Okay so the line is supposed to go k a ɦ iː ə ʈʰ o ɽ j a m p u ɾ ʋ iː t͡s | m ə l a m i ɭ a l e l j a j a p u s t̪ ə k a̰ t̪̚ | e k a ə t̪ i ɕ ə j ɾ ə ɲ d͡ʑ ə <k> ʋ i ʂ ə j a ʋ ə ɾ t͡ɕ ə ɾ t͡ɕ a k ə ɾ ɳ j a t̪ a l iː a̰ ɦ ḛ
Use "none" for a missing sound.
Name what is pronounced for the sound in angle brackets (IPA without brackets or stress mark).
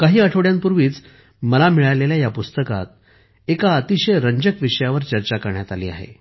k